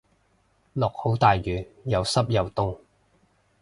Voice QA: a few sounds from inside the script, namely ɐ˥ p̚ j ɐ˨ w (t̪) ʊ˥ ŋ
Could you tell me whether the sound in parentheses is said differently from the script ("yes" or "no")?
no